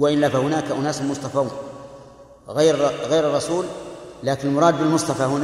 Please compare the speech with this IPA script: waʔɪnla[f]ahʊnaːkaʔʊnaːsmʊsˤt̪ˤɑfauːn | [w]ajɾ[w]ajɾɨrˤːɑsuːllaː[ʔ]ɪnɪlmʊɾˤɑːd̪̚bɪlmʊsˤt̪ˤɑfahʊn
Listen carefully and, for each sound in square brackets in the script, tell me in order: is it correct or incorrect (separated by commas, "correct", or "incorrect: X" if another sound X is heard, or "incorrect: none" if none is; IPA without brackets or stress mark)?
correct, incorrect: ɣ, incorrect: ɣ, incorrect: k